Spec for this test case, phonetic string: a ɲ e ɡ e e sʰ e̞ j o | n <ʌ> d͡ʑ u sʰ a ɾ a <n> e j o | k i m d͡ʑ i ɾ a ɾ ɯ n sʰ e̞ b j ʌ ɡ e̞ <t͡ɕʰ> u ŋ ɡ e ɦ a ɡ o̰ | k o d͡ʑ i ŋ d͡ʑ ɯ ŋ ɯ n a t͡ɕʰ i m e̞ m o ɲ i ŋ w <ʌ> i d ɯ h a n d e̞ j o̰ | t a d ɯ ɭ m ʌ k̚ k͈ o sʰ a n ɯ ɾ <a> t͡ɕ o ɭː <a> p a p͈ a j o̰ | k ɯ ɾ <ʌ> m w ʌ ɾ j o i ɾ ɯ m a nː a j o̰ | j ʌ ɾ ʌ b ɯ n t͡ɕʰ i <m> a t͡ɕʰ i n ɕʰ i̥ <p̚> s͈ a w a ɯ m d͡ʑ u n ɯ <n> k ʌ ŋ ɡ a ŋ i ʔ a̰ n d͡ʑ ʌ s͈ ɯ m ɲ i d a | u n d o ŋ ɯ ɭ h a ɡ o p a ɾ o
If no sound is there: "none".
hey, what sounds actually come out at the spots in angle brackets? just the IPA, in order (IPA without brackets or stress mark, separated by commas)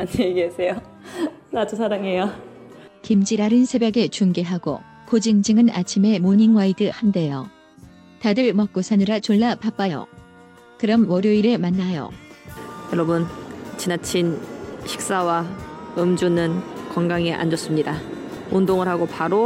a, ŋ, t͡ɕ, a, a, a, ʌ, n, k̚, n